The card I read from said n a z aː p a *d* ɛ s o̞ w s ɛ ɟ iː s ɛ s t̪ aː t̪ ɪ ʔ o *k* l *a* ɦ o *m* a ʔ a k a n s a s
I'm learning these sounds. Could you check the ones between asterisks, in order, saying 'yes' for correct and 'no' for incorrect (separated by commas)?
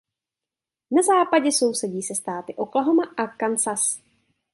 no, yes, yes, yes